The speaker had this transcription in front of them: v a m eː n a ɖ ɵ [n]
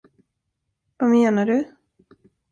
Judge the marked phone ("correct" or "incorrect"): incorrect